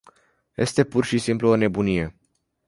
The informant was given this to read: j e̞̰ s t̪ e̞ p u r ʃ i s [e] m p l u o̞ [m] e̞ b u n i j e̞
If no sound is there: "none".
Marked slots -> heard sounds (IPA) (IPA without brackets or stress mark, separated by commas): i, n